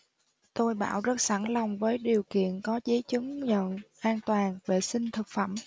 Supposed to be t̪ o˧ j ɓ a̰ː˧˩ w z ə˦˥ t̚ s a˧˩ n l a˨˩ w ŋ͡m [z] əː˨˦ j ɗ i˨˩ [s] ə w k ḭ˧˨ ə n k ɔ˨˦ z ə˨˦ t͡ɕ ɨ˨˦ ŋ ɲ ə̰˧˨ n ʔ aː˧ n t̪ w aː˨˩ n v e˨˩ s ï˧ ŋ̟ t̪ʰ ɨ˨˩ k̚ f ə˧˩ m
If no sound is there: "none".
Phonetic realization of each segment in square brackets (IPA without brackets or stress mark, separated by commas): v, none